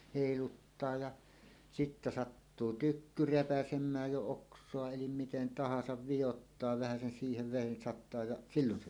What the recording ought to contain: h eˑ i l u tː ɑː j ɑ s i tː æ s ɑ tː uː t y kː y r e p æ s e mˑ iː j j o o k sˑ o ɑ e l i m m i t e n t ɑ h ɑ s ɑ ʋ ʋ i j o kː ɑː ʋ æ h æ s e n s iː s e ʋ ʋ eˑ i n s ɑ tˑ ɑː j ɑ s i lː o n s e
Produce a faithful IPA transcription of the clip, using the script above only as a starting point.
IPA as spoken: h eˑ i l u tː ɑː j ɑ s i tː æ s ɑ tː uː t y kː y r e p æ s e mˑ æː j j o o k sˑ o ɑ e l i m m i t e n t ɑ h ɑ s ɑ ʋ ʋ i j o tː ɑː ʋ æ h æ s e n s iː h e ʋ ʋ eˑ i n s ɑ tˑ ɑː j ɑ s i lː o n s e

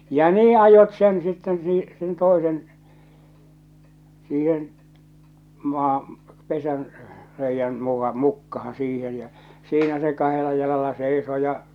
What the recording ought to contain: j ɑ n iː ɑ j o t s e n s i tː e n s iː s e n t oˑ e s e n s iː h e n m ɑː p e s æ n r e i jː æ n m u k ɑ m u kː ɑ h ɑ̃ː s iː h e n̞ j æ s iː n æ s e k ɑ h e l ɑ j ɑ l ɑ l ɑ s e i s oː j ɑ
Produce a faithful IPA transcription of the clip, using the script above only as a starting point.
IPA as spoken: j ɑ n iː ɑ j o t s e n s i tː e n s iː s e n t oˑ e s e n s iː h e n m ɑː p e s æ n r e i jː æ n m u k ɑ m u kː ɑ h ɑ̃ː s iː h e n̞ j æ s iː n æ s e k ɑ h e l ɑ j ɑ l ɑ l ɑ s e i s oː j ɑ

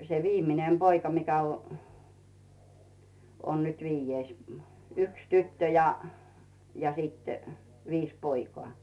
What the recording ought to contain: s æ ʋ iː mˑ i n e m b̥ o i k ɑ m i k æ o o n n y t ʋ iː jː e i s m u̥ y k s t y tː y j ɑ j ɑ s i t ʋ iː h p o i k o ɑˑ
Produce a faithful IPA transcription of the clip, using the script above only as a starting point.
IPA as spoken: s e ʋ iː mˑ i n e m b̥ o i k ɑ m i k æ o o n n y t ʋ iː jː e i s m u̥ y k s t y tː ø j ɑ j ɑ s i t ʋ iː s p o i k o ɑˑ

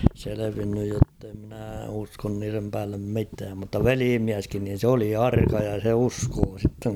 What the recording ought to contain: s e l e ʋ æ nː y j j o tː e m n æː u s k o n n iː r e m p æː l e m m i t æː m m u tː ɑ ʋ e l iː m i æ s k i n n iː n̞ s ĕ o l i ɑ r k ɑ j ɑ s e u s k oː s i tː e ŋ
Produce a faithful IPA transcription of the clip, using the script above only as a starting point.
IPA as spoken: s e l e ʋ i nː y j j o tː e m n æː u s k o n n iː r e m p æː lː e m m i t æː m m u tː ɑ ʋ e l iː m i æ s k i n n iː n̞ s ĕ o l i ɑ r k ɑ j ɑ s e u s k oː s i tː e ŋ

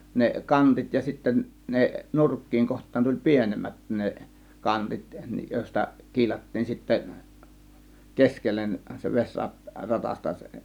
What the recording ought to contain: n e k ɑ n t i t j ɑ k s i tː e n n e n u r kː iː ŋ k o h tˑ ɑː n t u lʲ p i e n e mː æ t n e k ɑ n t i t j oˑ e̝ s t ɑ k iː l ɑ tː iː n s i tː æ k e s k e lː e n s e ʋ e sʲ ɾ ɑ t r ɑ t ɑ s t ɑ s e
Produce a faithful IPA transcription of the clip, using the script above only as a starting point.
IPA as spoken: n e k ɑ n t i t j ɑ s i tː e n n e n u r kː iː ŋ k o h tˑ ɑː n t u lʲ p i e n e mː æ t n e k ɑ n t i t j oˑ e̝ s t ɑ k iː l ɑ tː iː n s i tː æ k e s k e lː e n s e ʋ e sʲ r ɑ t r ɑ t ɑ s t ɑ s e

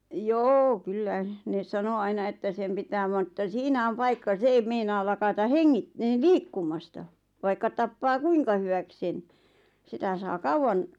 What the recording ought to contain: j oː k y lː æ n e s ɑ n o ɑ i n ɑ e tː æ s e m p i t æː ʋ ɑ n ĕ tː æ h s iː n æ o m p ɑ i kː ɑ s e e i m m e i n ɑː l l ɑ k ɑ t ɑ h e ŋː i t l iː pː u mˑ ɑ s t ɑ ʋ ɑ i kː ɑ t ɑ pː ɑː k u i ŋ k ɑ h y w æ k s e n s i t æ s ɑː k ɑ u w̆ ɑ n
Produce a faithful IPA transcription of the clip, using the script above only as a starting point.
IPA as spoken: j oː k y lː æ n e s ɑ n o ɑ i n ɑ e tː æ s e m p i t æː ʋ ɑ n ĕ tː æ s iː n æ o m p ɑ i kː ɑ s e e i m m e i n ɑː l l ɑ k ɑ t ɑ h e ŋː i t l iː kː u mˑ ɑ s t ɑ ʋ ɑ i kː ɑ t ɑ pː ɑː k u i ŋ k ɑ h y w æ k s e n s i t æ s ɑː k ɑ u w̆ ɑ n

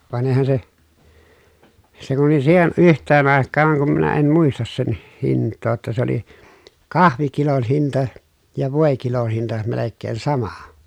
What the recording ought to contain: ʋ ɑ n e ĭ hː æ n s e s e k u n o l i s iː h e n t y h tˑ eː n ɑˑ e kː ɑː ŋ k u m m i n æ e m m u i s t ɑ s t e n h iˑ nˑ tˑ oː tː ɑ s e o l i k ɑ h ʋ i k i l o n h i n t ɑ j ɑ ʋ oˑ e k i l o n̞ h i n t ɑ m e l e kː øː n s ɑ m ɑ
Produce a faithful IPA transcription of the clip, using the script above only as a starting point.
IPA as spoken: ʋ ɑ n e ĭ h æ n s e s e k u n o l i s iː h e n ʔ y h tˑ eː n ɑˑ e kː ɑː ŋ k u m m i n æ e m m u i s t ɑ s s e n h iˑ nˑ tˑ oː tː ɑ s e o l i k ɑ h ʋ i k i l o n h i n t ɑ j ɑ ʋ oˑ e k i l o n̞ h i n t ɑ m e l e kː eː n s ɑ m ɑ

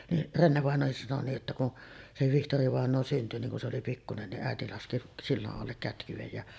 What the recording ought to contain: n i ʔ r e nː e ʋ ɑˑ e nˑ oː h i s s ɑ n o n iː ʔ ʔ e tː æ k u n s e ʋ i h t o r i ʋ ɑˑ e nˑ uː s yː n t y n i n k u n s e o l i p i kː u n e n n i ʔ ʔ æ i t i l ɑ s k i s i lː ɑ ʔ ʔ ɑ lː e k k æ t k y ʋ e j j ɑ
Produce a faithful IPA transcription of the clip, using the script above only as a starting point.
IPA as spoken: n i ʔ r e nː e ʋ ɑˑ e nˑ oː h i s s ɑ n o n iː ʔ ʔ e tː æ k u n s e ʋ i h t o r i ʋ ɑˑ e nˑ oː s y n t y n i ŋ k u n s e o l i p i kː u n e n n i ʔ ʔ æ e t i l ɑ s k i s i lː ɑ ʔ ʔ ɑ lː e k k æ t k y ʋ e j j ɑ

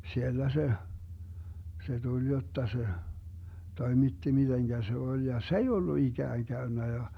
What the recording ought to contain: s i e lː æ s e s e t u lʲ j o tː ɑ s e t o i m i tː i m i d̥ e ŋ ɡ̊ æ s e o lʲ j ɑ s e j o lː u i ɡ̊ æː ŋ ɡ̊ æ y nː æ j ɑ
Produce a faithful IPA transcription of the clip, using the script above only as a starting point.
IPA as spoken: s i e lː æ s e s e t u lʲ j o tː ɑ s e t o i m i tː i m i d̥ e ŋ ɡ̊ æ s e o lʲ j ɑ s e i o lː u i ɡ̊ æː ŋ ɡ̊ æ y nː æ j ɑ

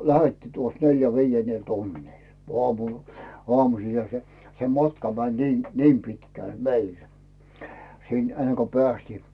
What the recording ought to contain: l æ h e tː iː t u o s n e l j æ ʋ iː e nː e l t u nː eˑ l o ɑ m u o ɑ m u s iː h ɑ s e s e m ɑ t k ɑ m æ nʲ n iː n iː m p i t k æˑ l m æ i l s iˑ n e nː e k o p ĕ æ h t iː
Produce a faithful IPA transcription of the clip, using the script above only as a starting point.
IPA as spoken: l æ h e tː iː t u o s n e l j æ ʋ iː e nː e l t u nː iˑ l o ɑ m u o ɑ m u s iː h ɑ s e s e m ɑ t k ɑ m æ nʲ n iː n iː m p i t k æˑ l m e i l s iˑ n e nː e k o p ĕ æ s t iː

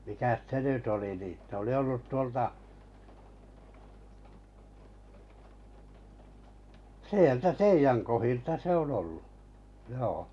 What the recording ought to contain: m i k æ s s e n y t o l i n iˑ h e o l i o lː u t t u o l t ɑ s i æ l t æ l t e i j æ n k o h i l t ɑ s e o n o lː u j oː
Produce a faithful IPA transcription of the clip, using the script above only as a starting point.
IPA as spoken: m i k æ s s e n y t o l i n iˑ s e o l i o lː u t t u o l t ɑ s i e l t æ t e i j æ ŋ k o h i l t ɑ s e o n o lː u j oː

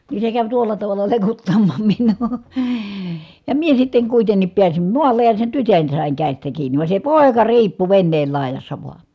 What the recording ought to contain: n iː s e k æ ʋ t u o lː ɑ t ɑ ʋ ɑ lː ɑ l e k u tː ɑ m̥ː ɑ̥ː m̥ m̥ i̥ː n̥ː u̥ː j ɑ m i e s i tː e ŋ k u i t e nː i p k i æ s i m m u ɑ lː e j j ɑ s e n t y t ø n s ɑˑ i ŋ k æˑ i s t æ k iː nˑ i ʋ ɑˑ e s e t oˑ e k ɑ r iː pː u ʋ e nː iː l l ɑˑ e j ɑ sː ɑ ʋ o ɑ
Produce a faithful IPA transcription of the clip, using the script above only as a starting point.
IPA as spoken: n iː s e k æ ʋ t u o lː ɑ t ɑ ʋ ɑ lː ɑ l e k u tː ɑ m̥ː ɑ̥ː m̥ m̥ i̥ n̥ː u̥ː j ɑ m i e s i tː e ŋ k u i t e nː i p p i æ s i m m u ɑ lː e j j ɑ s e n t y t ø n s ɑˑ i ŋ k æˑ i s t æ k iː nˑ i ʋ ɑˑ e s e p oˑ e k ɑ r iː pː u ʋ e nː eː l l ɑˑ e j ɑ sː ɑ ʋ o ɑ

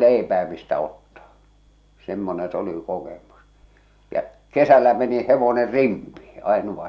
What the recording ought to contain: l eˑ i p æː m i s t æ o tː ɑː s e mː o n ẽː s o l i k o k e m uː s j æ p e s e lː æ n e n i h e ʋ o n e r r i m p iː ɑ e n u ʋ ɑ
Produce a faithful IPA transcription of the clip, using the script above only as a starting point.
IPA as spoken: l eˑ i p æː m i s t æ o tː ɑː s e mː o n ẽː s o l i k o k e m u s j æ k e s æ lː æ m e n i h e ʋ o n e r r i m p iː ɑ e n u ʋ ɑ

